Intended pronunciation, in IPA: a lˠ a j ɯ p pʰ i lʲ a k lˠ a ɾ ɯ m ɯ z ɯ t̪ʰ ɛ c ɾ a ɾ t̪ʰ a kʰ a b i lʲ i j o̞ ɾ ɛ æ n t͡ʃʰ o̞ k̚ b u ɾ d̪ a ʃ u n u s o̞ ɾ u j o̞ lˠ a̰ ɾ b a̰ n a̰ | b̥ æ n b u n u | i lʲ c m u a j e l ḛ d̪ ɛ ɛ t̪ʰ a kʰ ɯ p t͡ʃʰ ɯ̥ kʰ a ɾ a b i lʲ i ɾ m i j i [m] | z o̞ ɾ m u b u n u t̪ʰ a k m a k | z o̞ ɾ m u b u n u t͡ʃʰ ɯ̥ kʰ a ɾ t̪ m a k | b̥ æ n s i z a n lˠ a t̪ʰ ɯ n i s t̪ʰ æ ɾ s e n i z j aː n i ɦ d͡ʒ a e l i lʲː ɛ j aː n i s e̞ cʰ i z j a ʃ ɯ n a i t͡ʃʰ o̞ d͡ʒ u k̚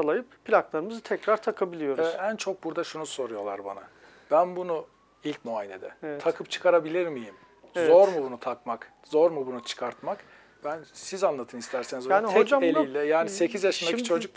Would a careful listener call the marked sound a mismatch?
no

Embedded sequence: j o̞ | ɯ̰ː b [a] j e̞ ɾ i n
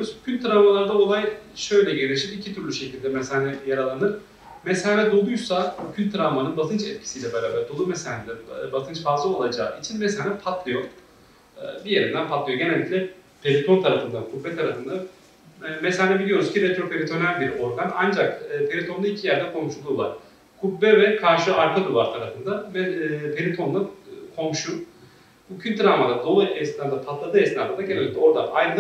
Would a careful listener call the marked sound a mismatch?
yes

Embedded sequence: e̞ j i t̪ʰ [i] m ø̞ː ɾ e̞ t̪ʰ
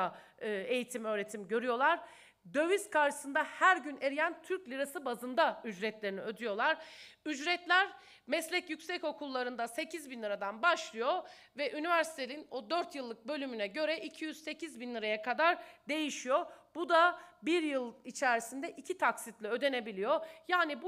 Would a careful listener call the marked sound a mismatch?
no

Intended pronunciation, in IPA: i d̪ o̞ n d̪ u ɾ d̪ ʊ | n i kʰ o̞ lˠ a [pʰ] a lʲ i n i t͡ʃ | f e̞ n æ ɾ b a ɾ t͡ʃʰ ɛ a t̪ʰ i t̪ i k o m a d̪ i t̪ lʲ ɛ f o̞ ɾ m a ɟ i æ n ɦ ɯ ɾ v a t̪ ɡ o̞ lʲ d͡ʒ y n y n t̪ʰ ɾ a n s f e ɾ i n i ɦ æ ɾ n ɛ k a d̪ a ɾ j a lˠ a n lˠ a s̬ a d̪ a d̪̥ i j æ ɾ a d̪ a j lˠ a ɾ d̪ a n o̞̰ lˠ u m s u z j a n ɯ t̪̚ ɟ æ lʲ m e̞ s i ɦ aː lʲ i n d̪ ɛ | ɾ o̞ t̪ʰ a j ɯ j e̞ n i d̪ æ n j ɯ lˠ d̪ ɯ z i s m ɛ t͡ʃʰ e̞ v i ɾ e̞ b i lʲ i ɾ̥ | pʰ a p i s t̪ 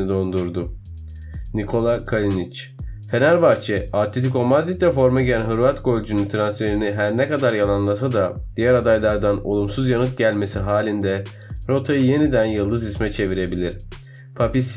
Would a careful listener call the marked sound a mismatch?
yes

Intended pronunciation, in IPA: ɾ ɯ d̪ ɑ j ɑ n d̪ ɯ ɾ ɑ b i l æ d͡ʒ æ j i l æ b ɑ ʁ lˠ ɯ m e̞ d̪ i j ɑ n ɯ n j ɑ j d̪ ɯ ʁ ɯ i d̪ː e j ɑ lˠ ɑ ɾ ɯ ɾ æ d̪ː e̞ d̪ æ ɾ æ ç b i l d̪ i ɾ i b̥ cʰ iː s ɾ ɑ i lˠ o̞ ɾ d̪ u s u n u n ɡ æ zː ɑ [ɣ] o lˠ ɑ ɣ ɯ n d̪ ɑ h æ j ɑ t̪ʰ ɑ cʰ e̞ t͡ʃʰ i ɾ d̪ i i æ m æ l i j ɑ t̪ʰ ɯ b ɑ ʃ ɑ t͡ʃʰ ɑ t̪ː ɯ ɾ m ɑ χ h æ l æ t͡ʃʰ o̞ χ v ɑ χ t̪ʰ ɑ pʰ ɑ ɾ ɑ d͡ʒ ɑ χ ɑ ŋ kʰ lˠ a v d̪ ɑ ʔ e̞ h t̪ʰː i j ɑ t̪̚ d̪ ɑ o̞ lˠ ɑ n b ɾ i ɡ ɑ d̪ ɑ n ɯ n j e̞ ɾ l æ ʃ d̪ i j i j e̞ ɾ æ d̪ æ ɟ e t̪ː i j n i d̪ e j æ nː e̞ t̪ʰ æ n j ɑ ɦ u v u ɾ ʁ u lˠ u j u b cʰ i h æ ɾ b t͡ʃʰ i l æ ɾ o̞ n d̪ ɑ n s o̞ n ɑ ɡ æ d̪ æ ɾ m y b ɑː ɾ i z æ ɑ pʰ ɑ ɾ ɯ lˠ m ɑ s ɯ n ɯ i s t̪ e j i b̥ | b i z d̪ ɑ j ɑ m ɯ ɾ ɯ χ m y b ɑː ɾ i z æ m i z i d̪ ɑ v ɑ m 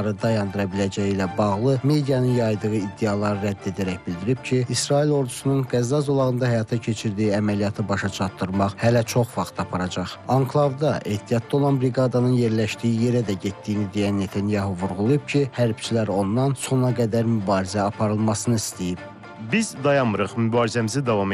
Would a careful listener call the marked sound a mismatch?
yes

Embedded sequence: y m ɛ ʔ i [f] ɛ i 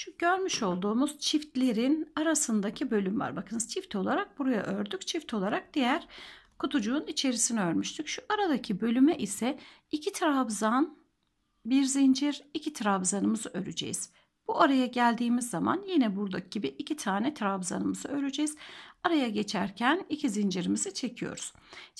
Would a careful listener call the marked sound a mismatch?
yes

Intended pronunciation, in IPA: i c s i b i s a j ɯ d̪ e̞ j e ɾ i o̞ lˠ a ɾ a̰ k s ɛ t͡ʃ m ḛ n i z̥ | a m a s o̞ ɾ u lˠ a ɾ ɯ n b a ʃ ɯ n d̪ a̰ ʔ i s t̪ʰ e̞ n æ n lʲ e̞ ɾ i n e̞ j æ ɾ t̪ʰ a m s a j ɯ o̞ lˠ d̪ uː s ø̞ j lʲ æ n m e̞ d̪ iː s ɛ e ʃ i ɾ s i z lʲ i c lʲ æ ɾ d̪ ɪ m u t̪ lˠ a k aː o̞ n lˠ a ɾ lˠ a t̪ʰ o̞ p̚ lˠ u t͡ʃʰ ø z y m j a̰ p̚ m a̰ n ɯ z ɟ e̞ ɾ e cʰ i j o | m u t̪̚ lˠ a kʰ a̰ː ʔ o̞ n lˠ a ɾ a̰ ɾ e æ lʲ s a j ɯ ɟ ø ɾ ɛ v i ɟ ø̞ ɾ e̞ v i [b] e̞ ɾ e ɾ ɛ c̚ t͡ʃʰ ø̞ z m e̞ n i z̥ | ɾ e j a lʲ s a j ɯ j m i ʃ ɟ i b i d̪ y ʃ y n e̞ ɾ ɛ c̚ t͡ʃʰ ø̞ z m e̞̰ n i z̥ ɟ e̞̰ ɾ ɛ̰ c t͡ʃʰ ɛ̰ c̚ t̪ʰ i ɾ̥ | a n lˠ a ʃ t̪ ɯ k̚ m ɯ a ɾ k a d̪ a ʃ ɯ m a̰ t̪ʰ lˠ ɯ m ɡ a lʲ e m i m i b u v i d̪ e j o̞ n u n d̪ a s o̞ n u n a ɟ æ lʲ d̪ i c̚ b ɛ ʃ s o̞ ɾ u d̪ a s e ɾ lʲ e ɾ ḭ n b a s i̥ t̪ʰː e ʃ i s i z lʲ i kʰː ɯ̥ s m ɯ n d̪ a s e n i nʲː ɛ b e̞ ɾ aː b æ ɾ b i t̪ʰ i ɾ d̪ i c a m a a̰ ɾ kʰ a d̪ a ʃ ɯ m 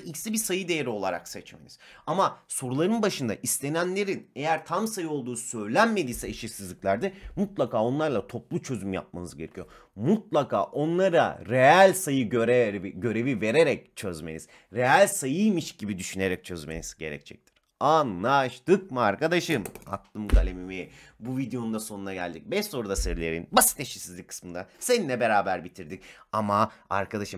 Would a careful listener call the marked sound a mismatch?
yes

